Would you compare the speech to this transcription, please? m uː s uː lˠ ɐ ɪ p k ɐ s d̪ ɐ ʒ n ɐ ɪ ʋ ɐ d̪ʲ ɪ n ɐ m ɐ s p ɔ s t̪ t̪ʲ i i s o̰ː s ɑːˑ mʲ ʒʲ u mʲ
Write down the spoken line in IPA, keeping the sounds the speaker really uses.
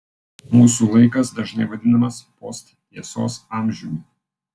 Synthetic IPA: m uː s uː lˠ ɐ ɪ k ɐ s d̪ ɐ ʒ n ɐ ɪ ʋ ɐ d̪ʲ ɪ n ɐ m ɐ s p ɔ s t̪ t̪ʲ i ɛ s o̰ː s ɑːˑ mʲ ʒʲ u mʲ